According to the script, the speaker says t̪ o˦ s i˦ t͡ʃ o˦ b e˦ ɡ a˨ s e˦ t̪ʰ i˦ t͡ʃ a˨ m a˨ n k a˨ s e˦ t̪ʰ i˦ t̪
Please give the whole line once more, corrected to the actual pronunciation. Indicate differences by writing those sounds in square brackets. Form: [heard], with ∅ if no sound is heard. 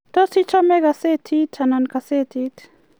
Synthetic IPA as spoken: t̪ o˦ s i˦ t͡ʃ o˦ [m] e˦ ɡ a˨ s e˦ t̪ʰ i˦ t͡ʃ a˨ [n] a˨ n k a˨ s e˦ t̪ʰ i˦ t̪